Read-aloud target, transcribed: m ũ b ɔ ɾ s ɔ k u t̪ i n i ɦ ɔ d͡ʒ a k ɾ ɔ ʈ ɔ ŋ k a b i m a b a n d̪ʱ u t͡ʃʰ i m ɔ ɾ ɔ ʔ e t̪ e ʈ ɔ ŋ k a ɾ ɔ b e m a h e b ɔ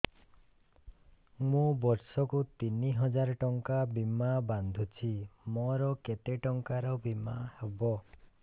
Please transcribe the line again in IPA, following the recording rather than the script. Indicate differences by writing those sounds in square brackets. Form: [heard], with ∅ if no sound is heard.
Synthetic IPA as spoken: m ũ b ɔ ɾ s ɔ k u t̪ i n i ɦ ɔ d͡ʒ a [∅] ɾ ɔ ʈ ɔ ŋ k a b i m a b a n d̪ʱ u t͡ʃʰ i m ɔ ɾ ɔ [k] e t̪ e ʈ ɔ ŋ k a ɾ ɔ b [i] m a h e b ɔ